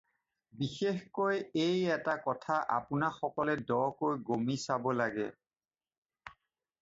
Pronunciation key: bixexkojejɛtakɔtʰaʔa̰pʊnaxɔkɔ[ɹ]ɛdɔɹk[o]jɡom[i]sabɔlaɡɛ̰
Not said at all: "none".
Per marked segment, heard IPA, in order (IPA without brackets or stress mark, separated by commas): l, o, i